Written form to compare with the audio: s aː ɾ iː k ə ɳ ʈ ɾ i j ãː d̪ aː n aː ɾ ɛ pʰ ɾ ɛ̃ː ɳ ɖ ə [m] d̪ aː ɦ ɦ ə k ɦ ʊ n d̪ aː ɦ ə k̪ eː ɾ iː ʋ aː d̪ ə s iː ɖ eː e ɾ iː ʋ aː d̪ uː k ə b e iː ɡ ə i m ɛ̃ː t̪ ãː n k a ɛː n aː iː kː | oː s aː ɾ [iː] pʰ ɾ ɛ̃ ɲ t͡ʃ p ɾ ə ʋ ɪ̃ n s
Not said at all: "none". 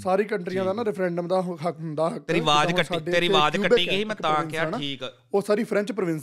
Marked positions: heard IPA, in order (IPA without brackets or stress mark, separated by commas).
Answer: m, iː